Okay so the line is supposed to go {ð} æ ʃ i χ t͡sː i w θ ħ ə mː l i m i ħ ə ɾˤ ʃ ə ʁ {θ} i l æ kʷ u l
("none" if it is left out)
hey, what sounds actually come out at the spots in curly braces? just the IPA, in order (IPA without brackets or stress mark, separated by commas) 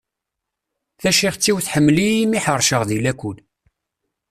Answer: θ, ð